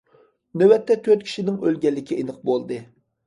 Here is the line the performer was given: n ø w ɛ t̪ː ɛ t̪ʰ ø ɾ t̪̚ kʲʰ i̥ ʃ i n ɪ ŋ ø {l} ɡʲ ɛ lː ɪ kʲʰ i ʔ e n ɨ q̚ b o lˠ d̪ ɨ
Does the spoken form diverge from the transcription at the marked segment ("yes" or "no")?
no